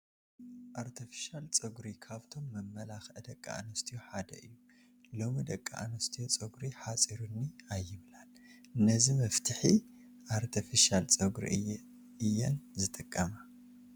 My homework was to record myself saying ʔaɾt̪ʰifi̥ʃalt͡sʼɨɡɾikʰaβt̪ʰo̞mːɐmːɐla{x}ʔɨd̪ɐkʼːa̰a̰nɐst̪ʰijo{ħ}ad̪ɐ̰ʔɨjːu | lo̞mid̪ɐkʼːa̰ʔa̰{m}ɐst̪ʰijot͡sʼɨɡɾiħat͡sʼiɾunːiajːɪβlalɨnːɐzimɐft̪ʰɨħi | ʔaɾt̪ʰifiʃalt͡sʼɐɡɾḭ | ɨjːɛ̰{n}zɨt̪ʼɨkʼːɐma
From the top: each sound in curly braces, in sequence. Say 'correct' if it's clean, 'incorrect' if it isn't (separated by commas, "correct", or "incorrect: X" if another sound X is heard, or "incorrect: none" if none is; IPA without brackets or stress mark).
correct, correct, incorrect: n, correct